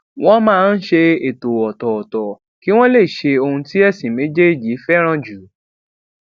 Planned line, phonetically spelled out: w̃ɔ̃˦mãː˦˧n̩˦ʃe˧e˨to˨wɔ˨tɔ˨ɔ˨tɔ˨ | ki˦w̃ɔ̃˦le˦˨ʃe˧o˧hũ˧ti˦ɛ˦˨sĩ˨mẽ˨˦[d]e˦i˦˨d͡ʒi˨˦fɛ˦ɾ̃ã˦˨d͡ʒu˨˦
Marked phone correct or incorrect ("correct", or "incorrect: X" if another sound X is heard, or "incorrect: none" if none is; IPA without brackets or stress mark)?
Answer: incorrect: d͡ʒ